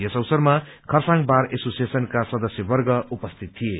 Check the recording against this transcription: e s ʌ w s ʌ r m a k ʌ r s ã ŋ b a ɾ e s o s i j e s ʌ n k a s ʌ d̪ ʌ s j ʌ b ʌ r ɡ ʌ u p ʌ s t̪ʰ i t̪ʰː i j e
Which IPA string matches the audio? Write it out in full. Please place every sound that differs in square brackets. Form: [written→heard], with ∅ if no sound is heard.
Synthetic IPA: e s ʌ w s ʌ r m a [k→kʰ] ʌ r s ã ŋ b a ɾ e s o s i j e s ʌ n k a s ʌ d̪ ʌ s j ʌ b ʌ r ɡ ʌ u p ʌ s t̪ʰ i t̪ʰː i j e